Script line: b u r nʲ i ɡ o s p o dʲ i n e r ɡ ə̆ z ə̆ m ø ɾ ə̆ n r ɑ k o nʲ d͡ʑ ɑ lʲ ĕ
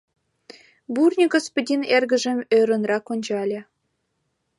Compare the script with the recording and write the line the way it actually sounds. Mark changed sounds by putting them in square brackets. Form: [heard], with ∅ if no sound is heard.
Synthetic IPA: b u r nʲ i ɡ o s p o dʲ i n e r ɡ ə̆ [ʒ] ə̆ m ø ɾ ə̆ n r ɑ k o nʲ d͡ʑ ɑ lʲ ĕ